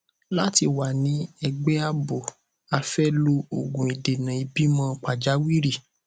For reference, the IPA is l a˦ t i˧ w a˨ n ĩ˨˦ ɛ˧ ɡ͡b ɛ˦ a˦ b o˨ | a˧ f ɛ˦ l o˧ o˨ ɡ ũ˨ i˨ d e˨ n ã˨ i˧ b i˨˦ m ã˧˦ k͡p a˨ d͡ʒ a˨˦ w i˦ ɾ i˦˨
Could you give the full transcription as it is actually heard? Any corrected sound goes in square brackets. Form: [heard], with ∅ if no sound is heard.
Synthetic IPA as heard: l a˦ t i˧ w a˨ n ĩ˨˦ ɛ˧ ɡ͡b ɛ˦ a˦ b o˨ | a˧ f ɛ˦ l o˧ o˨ ɡ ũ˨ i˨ d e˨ n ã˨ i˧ b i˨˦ m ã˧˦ k͡p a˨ d͡ʒ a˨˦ w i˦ ɾ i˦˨